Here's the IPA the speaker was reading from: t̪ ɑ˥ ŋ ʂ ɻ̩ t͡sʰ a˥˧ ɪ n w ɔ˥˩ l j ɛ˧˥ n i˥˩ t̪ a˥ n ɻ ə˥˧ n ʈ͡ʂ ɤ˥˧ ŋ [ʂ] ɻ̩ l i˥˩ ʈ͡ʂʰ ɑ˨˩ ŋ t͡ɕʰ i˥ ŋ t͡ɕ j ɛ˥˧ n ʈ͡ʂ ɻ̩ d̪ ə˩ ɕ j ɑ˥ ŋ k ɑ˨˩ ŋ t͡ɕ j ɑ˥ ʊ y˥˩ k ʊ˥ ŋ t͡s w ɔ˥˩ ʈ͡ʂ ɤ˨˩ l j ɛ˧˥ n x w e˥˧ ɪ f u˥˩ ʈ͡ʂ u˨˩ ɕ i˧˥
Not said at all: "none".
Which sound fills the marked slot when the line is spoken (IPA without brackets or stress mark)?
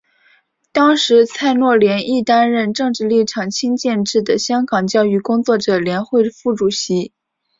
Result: ʈ͡ʂ